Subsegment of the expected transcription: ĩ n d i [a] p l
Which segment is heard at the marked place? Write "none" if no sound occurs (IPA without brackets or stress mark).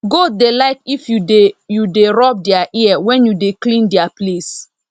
a